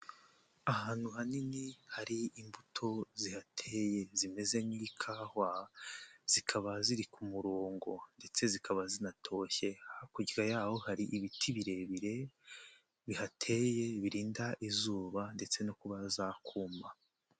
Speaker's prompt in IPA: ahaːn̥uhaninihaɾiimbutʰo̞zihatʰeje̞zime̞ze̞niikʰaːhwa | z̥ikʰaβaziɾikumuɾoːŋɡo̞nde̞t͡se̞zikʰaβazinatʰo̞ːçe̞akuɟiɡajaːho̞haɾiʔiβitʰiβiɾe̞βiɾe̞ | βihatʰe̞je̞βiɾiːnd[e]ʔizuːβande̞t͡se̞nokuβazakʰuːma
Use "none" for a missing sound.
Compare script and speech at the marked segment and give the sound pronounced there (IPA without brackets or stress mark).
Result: a